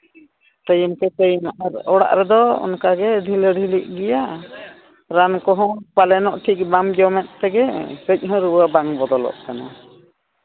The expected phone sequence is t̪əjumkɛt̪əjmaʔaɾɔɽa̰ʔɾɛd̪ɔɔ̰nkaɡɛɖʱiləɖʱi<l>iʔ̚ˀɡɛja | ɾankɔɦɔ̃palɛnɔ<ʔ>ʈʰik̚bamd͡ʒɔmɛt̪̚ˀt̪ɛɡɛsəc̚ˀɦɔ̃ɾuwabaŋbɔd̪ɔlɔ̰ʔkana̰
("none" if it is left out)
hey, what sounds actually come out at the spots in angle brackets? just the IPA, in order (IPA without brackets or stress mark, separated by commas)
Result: l, ʔ